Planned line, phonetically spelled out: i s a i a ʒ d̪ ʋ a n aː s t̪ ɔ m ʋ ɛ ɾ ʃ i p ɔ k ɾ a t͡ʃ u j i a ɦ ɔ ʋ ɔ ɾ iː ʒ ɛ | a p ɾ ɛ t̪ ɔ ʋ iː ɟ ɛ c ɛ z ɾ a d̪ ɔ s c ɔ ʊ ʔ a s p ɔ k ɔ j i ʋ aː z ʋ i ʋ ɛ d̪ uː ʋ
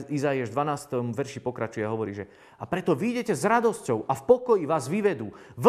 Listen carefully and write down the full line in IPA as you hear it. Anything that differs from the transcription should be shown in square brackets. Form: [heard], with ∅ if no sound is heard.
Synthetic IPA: i [z] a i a ʒ d̪ ʋ a n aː s t̪ ɔ m ʋ ɛ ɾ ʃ i p ɔ k ɾ a t͡ʃ u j [ɛ] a ɦ ɔ ʋ ɔ ɾ iː ʒ ɛ | a p ɾ ɛ t̪ ɔ ʋ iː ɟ ɛ c ɛ z ɾ a d̪ ɔ s c ɔ ʊ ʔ a [f] p ɔ k ɔ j i ʋ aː z ʋ i ʋ ɛ d̪ uː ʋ